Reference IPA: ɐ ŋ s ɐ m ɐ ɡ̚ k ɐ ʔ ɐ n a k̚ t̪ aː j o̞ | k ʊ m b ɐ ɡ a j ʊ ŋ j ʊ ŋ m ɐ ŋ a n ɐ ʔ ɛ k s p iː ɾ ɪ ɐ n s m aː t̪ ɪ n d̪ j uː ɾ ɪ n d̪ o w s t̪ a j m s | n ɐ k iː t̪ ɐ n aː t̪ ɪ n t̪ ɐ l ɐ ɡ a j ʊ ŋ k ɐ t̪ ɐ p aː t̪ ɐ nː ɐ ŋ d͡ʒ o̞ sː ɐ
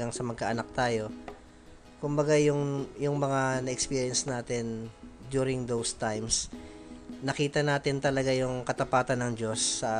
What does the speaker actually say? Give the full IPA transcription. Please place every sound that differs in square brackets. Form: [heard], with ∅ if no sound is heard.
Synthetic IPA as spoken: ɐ ŋ s ɐ m ɐ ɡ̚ k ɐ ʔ ɐ n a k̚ t̪ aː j o̞ | k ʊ m b ɐ ɡ a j ʊ ŋ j ʊ ŋ m ɐ ŋ a n ɐ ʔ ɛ k s p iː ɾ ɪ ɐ n s [n] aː t̪ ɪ n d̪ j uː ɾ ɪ [ŋ] d̪ o w s t̪ a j m s | n ɐ k iː t̪ ɐ n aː t̪ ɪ n t̪ ɐ l ɐ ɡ a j ʊ ŋ k ɐ t̪ ɐ p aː t̪ ɐ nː ɐ ŋ d͡ʒ o̞ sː ɐ